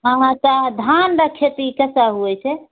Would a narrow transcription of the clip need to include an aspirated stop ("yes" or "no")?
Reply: yes